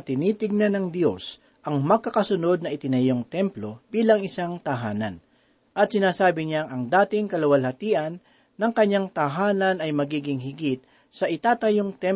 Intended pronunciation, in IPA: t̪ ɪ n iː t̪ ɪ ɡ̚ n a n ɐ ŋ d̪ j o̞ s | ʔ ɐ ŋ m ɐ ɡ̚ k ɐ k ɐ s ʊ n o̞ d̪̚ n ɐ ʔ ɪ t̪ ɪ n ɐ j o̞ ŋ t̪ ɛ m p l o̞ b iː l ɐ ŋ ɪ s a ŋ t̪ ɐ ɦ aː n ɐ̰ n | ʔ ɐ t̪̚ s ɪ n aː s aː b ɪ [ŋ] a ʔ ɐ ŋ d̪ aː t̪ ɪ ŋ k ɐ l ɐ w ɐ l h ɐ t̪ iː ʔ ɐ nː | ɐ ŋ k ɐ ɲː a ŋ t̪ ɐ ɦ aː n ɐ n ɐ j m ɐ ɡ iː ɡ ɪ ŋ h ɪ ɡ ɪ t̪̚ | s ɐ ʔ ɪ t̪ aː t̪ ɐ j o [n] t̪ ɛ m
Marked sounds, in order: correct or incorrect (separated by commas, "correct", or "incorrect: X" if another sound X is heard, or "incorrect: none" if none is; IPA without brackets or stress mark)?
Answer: incorrect: ɲ, incorrect: ŋ